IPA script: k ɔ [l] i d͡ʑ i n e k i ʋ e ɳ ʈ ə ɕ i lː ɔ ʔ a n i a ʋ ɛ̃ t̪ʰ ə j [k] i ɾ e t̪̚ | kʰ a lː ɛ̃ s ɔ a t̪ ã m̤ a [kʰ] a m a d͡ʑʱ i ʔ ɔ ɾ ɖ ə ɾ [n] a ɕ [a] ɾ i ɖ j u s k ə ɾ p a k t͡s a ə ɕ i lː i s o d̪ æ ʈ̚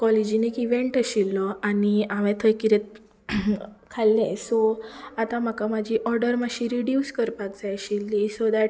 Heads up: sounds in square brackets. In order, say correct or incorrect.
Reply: correct, correct, incorrect, incorrect, incorrect

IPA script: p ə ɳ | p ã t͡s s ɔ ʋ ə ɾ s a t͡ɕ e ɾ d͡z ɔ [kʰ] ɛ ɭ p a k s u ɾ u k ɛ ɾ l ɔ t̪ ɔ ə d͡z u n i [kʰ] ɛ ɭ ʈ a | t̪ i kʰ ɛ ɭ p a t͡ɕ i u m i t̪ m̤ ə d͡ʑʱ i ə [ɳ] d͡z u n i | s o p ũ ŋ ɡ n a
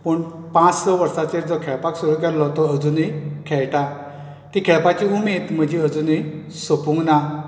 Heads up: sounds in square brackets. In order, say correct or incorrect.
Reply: correct, correct, incorrect

